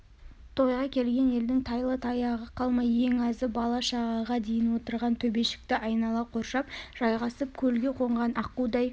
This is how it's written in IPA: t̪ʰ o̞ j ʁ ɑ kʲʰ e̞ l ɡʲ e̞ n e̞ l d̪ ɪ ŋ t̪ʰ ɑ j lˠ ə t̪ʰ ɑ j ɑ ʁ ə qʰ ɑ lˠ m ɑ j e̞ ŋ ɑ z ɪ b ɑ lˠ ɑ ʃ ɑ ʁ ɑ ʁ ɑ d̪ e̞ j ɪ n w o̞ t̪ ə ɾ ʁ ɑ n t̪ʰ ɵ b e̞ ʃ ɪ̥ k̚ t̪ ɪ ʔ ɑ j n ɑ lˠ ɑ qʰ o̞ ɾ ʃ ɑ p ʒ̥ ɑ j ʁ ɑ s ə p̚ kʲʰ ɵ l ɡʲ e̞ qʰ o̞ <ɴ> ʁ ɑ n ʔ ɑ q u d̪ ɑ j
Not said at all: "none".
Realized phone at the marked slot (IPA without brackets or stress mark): ɴ